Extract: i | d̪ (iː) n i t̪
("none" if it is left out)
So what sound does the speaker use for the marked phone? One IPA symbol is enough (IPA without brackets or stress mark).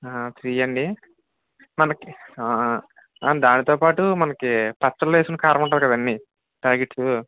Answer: aː